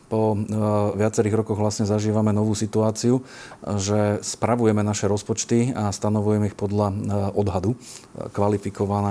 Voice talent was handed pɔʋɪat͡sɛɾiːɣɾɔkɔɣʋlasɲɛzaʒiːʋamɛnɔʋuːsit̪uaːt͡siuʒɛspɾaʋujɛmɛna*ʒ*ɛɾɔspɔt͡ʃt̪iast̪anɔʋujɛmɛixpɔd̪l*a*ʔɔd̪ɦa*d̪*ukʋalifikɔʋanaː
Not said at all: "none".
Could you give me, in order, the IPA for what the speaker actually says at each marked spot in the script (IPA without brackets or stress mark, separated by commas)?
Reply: ʃ, a, d̪